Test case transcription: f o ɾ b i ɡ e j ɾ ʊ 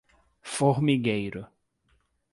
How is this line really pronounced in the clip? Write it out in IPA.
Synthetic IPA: f o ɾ m i ɡ e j ɾ ʊ